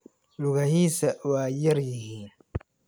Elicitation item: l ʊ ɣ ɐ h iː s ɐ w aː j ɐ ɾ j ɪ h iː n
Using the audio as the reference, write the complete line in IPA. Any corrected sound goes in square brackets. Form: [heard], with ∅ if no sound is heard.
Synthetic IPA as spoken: l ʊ ɣ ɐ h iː s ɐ w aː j ɐ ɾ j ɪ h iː n